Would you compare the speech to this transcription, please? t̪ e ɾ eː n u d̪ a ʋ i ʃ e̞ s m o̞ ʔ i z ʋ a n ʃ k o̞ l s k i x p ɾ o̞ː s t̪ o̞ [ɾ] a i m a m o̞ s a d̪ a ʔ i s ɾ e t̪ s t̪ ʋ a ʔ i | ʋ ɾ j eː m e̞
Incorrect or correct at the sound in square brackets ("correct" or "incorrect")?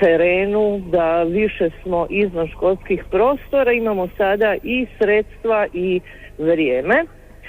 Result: correct